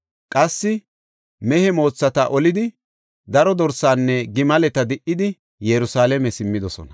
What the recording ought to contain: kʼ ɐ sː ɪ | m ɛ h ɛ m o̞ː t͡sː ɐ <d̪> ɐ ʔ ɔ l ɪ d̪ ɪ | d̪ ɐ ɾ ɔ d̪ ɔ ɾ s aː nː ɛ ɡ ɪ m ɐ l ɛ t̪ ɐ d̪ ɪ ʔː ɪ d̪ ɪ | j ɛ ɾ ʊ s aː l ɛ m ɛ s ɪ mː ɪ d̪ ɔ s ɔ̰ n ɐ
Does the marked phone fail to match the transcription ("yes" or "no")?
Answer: yes